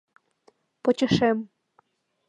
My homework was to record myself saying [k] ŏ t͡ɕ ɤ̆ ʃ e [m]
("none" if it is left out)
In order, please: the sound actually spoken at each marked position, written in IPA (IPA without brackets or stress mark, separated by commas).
p, m